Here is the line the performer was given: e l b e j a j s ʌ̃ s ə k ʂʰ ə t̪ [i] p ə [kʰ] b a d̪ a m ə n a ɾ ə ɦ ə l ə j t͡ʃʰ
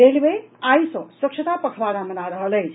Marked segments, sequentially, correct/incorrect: incorrect: a, correct

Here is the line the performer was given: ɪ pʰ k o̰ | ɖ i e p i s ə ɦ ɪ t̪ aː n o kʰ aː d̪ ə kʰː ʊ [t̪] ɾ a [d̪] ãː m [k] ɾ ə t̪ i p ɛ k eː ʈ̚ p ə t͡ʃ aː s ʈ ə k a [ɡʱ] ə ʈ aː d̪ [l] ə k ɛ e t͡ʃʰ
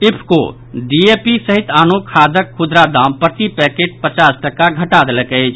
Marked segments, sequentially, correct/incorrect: incorrect: d̪, correct, incorrect: p, correct, correct

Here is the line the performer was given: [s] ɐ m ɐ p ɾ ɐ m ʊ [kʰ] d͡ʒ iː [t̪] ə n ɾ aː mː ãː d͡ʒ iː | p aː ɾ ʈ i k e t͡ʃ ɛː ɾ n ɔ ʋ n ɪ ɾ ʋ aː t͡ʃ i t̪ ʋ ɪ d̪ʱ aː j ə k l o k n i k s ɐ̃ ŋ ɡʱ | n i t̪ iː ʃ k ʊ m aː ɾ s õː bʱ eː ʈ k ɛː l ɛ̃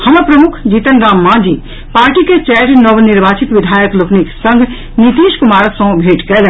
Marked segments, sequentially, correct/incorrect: incorrect: h, correct, correct

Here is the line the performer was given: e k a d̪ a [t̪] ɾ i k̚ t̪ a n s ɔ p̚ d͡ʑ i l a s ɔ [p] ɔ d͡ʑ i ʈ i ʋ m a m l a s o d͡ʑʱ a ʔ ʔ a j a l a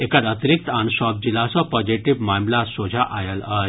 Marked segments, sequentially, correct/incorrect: correct, correct

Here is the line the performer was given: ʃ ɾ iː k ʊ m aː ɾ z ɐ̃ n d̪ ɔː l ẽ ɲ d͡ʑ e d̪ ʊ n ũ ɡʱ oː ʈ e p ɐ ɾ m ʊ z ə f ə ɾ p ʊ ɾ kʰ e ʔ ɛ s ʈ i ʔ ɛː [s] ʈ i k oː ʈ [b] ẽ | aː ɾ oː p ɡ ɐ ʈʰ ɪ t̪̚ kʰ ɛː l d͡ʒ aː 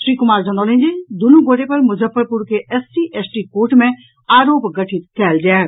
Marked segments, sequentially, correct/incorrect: correct, incorrect: m

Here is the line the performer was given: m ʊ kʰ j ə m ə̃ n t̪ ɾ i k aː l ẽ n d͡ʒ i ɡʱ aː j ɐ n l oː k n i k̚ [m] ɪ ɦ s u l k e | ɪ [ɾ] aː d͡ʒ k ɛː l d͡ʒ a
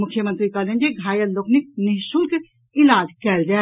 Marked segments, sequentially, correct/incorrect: incorrect: n, incorrect: l

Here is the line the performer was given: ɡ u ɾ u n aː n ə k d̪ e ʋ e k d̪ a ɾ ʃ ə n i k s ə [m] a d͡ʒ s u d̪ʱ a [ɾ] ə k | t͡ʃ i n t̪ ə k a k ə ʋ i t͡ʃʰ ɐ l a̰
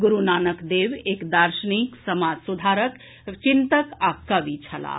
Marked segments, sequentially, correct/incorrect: correct, correct

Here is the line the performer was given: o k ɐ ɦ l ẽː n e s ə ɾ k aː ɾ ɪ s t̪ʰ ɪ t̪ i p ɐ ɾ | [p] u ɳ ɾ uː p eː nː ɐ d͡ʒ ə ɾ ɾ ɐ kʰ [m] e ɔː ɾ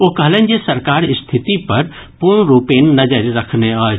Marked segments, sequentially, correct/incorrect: correct, incorrect: n

